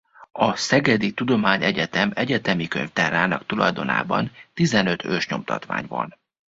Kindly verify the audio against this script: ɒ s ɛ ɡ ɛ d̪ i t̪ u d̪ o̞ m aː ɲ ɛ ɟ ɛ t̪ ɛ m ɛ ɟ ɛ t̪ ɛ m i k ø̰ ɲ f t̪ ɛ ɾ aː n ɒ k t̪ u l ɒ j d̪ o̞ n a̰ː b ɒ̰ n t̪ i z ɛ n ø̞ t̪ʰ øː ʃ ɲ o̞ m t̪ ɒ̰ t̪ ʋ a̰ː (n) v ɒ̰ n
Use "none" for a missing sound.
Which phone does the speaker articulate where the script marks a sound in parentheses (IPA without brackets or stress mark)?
ɲ